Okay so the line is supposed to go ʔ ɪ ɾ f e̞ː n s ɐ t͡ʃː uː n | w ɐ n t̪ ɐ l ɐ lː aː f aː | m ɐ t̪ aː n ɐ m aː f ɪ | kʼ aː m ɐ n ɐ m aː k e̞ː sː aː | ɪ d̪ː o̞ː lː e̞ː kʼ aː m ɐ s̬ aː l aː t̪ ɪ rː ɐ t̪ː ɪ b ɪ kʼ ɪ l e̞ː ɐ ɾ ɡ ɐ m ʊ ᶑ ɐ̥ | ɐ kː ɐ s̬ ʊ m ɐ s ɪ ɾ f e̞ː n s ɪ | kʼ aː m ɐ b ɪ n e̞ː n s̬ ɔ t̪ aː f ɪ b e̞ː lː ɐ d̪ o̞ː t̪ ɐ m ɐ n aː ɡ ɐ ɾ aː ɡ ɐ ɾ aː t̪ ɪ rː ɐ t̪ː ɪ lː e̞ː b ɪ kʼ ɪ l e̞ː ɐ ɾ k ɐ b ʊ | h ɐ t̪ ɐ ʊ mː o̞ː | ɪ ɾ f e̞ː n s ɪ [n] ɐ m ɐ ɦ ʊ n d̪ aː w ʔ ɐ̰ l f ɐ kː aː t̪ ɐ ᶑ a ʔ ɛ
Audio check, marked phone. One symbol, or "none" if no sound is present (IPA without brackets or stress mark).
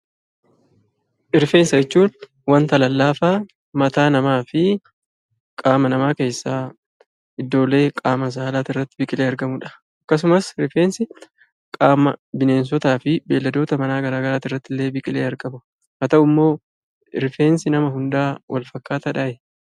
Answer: n